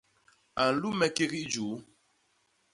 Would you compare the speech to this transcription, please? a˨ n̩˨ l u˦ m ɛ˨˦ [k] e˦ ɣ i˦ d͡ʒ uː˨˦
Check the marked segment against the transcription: correct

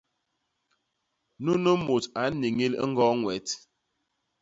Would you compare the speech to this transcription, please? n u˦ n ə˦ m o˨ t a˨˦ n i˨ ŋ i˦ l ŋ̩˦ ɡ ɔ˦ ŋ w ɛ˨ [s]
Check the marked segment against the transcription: incorrect: t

